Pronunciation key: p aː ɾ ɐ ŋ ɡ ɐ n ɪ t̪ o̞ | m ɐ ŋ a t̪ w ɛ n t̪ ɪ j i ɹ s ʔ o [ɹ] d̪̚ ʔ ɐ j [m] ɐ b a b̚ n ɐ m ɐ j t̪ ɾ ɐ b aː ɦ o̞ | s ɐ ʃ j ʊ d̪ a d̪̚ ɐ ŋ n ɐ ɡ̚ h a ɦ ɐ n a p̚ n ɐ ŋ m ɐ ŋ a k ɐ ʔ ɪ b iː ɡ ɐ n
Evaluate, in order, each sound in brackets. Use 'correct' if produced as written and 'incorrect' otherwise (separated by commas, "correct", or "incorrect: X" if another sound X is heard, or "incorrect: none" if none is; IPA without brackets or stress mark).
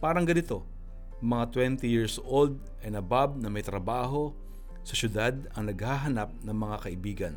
incorrect: l, incorrect: n